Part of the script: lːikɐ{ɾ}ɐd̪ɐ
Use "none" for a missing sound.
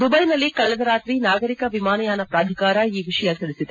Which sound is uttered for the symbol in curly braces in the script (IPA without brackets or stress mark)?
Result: ɭ